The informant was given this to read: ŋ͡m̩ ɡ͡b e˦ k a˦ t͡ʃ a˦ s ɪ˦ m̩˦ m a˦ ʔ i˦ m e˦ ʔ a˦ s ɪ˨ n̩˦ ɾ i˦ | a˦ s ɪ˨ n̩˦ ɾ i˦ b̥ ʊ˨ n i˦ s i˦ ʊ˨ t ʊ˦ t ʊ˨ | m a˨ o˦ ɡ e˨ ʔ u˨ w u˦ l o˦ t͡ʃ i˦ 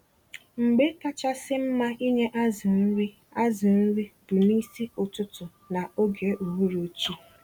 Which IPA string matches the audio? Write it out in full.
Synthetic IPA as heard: ŋ͡m̩ ɡ͡b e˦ k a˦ t͡ʃ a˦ s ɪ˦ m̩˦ m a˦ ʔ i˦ ɲ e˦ ʔ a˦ z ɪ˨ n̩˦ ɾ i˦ | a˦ z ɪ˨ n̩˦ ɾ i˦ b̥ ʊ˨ n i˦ s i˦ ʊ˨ t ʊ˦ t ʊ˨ | n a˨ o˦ ɡ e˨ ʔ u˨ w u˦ ɾ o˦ t͡ʃ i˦